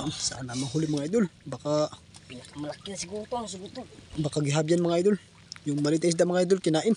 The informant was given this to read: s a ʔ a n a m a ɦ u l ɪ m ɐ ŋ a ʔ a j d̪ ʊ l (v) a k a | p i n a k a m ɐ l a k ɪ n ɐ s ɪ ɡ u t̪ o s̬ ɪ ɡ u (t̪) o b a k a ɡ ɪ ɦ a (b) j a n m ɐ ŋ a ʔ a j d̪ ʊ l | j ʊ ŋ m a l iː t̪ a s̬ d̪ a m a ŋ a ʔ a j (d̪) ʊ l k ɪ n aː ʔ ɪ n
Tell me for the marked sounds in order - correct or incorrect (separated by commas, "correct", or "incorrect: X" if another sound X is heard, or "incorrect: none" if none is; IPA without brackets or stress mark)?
incorrect: b, correct, correct, correct